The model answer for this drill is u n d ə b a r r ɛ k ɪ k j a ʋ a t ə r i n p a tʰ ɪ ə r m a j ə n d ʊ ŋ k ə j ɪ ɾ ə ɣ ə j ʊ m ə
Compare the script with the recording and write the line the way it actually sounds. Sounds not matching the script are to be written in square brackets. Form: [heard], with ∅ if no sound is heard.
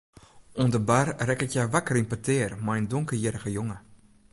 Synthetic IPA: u n d ə b a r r ɛ k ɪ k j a ʋ a [k] ə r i n p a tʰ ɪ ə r m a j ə n d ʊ ŋ k ə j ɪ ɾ ə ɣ ə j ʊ [ŋ] ə